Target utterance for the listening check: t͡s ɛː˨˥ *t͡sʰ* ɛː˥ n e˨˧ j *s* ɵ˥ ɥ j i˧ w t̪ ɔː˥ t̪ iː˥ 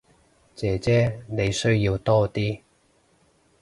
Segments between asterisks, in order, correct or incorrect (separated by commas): incorrect, correct